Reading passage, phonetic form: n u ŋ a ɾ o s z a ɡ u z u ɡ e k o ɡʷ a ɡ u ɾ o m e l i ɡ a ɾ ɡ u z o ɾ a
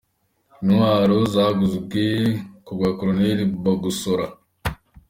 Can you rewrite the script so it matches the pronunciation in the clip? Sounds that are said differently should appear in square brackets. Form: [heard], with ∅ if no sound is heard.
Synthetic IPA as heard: n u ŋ a ɾ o [∅] z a ɡ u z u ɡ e k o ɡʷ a [k] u ɾ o [n] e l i [b] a [∅] ɡ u [s] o ɾ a